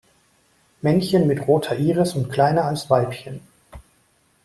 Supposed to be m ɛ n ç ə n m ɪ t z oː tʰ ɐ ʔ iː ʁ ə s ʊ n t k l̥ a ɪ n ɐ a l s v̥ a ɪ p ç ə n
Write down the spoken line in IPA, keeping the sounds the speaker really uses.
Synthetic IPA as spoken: m ɛ n ç ə n m ɪ t ʁ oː tʰ ɐ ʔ iː ʁ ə s ʊ n t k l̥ a ɪ n ɐ a l s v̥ a ɪ p ç ə n